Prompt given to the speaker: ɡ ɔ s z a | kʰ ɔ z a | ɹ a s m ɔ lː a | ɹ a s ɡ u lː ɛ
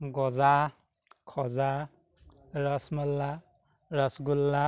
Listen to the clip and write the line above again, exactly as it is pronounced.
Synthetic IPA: ɡ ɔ z a | kʰ ɔ z a | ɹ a s m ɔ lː a | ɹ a s ɡ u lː a